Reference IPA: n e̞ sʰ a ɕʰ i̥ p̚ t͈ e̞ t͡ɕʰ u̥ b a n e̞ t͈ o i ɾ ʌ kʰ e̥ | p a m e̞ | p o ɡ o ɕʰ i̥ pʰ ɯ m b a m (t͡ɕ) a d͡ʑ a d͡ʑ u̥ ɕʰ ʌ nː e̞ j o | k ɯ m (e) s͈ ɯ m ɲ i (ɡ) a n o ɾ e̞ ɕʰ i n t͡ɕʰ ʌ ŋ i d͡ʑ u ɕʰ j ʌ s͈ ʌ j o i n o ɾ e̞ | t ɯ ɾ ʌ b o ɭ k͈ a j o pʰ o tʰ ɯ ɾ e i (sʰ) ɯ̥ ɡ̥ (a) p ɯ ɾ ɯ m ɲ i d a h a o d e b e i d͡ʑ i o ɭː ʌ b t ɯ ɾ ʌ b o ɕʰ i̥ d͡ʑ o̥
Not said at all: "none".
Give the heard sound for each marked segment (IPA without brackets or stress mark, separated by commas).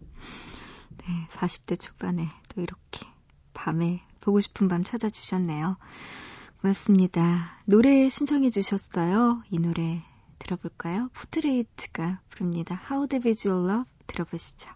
t͡ɕʰ, a, d, tʰ, a